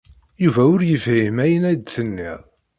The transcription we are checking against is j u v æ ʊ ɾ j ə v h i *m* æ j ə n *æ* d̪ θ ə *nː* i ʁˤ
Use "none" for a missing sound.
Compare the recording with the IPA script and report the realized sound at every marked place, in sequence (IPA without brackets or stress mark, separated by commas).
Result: m, æ, nː